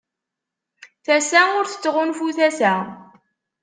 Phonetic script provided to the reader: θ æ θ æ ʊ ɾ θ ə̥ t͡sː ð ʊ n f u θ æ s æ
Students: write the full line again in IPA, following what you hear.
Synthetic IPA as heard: θ æ s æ ʊ ɾ θ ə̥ t͡sː ʁ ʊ n f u θ æ s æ